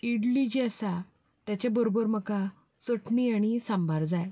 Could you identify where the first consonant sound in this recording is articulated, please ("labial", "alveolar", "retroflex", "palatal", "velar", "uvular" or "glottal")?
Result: retroflex